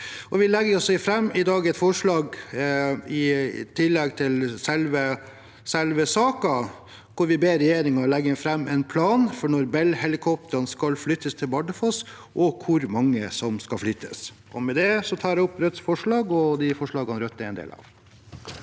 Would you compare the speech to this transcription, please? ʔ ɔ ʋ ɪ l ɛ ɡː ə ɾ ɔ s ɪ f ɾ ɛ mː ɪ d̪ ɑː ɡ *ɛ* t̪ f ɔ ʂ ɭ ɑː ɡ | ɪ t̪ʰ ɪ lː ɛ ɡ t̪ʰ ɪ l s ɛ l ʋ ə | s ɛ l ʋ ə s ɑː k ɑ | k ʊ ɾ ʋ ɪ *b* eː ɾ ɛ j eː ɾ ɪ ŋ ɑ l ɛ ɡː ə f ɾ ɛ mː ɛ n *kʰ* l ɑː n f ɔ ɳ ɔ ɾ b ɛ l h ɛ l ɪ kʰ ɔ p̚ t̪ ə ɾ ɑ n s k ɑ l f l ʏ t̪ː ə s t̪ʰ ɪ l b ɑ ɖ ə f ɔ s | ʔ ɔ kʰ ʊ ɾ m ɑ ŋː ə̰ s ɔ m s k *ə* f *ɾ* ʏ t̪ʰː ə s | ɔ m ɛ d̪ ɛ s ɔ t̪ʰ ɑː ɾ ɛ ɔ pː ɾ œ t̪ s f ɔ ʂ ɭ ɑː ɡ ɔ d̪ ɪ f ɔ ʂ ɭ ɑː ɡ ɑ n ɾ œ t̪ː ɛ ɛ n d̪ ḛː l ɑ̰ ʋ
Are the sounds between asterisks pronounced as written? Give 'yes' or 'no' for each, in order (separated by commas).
yes, yes, no, no, no